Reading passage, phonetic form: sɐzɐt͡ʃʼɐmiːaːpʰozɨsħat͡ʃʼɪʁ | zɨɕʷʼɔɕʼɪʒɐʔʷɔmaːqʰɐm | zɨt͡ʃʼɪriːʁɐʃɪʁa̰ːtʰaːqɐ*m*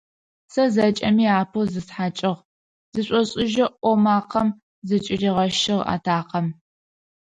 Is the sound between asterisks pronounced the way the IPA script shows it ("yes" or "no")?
yes